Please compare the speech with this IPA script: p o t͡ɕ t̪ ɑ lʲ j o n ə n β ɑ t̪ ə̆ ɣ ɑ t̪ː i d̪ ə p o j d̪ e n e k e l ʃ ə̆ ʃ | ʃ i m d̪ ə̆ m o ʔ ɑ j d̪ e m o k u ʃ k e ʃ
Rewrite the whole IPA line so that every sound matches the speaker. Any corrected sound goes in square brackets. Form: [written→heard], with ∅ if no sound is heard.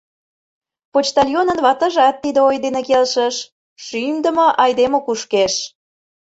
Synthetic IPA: p o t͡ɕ t̪ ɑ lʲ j o n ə n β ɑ t̪ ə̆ [ɣ→ʒ] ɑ t̪ː i d̪ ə [p→∅] o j d̪ e n e k e l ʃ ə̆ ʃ | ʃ [i→y] m d̪ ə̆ m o ʔ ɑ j d̪ e m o k u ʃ k e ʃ